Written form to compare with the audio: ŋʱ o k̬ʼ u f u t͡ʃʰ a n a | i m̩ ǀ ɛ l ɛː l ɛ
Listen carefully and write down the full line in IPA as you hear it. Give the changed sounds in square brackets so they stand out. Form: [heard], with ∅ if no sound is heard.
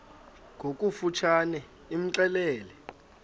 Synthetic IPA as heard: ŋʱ o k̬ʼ u f u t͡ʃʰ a n [ɛ] | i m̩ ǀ ɛ l ɛː l ɛ